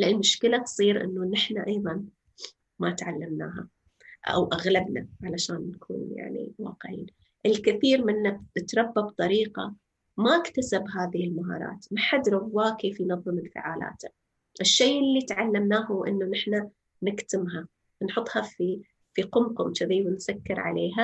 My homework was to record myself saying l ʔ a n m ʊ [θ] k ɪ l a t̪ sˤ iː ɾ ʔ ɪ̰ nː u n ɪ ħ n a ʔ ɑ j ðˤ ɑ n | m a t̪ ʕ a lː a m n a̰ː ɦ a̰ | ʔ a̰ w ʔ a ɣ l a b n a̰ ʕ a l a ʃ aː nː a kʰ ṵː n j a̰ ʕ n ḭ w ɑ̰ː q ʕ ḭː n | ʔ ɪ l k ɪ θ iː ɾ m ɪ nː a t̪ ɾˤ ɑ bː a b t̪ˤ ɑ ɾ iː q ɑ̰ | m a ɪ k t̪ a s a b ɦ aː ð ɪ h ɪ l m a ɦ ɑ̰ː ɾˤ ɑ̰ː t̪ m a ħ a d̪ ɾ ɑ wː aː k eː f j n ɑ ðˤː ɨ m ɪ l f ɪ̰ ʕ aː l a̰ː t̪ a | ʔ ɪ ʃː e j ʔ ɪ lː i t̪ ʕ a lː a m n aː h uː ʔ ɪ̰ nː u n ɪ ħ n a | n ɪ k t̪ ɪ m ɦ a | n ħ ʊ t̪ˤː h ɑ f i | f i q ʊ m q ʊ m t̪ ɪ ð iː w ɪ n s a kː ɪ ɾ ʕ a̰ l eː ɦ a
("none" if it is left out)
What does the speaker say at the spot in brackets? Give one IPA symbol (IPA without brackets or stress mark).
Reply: ʃ